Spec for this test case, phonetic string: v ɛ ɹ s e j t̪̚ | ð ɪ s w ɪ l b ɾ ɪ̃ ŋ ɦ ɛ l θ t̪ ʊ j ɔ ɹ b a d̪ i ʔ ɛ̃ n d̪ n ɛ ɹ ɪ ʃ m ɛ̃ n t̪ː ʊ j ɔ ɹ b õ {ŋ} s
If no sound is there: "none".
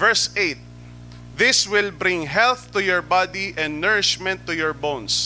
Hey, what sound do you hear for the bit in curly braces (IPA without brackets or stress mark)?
n